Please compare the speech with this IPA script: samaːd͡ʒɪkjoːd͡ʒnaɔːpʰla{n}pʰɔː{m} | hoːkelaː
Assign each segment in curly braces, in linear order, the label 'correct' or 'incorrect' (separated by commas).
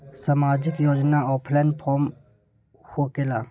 correct, correct